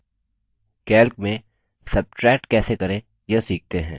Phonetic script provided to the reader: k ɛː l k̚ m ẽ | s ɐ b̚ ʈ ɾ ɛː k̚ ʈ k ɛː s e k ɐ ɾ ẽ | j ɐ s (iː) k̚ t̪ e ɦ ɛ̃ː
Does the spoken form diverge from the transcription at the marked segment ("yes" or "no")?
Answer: no